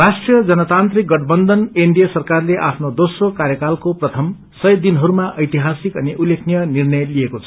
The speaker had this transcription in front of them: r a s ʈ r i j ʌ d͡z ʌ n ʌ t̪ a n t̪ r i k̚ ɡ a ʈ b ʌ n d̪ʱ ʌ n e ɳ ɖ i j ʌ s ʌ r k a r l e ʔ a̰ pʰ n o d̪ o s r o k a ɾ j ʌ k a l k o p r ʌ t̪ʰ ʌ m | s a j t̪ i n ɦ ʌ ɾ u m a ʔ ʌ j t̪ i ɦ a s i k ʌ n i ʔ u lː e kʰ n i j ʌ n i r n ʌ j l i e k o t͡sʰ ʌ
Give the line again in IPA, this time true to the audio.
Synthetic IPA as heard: r a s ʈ r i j ʌ d͡z ʌ n ʌ t̪ a n t̪ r i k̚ ɡ ʌ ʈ b ʌ n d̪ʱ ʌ n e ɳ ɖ i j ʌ s ʌ r k a r l e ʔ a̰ pʰ n o d̪ o s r o k a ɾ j ʌ k a l k o p r ʌ t̪ʰ ʌ m | s ʌ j d̪ i n ɦ ʌ ɾ u m a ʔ ʌ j t̪ i ɦ a s i k ʌ n i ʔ u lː e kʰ n i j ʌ n i r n ʌ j l i e k o t͡sʰ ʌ

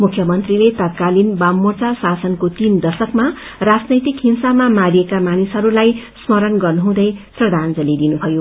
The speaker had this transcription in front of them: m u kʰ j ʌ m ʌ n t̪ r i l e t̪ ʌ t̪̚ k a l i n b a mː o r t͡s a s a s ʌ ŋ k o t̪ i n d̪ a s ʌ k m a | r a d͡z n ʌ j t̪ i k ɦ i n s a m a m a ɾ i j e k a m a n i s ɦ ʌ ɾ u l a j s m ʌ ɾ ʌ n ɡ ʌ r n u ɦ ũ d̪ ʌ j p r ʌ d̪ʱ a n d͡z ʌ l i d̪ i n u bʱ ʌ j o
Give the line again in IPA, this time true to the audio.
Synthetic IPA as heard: m u kʰ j ʌ m ʌ n t̪ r i l e t̪ ʌ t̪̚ k a l i n b a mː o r t͡s a s a s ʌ n k o t̪ i n d̪ ʌ s ʌ k m a | r a d͡z n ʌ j t̪ i k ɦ i n s a m a m a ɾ i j e k a m a n i s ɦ ʌ ɾ u l a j s m ʌ ɾ ʌ n ɡ ʌ r n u ɦ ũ d̪ ʌ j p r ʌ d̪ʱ a n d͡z ʌ l i d̪ i n u bʱ ʌ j o

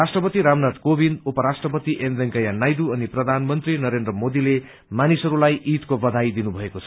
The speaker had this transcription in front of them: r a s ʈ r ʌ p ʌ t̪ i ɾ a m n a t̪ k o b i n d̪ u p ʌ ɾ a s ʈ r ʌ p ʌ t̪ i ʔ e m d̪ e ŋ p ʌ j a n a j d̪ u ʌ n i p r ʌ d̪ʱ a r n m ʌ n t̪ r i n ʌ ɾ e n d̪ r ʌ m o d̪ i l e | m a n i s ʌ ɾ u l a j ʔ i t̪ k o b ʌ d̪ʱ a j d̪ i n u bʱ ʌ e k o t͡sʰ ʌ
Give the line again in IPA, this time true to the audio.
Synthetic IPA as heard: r a s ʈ r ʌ p ʌ t̪ i ɾ a m n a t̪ k o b i n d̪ u p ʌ ɾ a s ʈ r ʌ p ʌ t̪ i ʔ e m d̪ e ŋ k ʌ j a n a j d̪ u ʌ n i p r ʌ d̪ʱ a n m ʌ n t̪ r i n ʌ ɾ e n d̪ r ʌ m o d̪ i l e | m a n i s ʌ ɾ u l a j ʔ i t̪ k o b ʌ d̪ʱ a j d̪ i n u bʱ ʌ e k o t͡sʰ ʌ

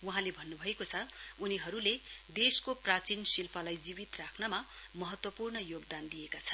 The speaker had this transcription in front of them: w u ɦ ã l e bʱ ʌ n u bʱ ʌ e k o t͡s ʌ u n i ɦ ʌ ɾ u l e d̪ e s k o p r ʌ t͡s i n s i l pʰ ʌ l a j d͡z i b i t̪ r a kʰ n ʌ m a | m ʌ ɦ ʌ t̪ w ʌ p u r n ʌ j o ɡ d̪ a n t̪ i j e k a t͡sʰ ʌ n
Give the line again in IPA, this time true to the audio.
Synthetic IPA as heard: w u ɦ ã l e bʱ ʌ nː u bʱ ʌ e k o t͡sʰ ʌ u n i ɦ ʌ ɾ u l e d̪ e s k o p r a t͡s i n s i l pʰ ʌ l a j d͡z i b i t̪ r a kʰ n ʌ m a | m ʌ ɦ ʌ t̪ w ʌ p u r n ʌ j o ɡ d̪ a n d̪ i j e k a t͡sʰ ʌ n

